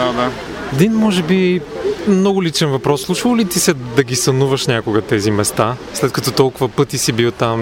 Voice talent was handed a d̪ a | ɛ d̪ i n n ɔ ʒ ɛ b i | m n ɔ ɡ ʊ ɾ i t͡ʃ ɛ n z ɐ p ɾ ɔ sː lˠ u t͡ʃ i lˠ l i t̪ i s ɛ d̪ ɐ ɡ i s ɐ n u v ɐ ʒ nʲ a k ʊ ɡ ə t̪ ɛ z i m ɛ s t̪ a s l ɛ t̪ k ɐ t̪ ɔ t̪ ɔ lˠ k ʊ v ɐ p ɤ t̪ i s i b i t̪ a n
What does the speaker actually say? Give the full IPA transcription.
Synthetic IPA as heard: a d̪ a | ɛ d̪ i n m ɔ ʒ ɛ b i | m n ɔ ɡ ʊ l i t͡ʃ ɛ n v ɐ p ɾ ɔ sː lˠ u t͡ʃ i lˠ l i t̪ i s ɛ d̪ ɐ ɡ i s ɐ n u v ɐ ʃ nʲ a k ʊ ɡ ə t̪ ɛ z i m ɛ s t̪ a s l ɛ t̪ k ɐ t̪ ɔ t̪ ɔ lˠ k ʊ v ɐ p ɤ t̪ i s i b i t̪ a m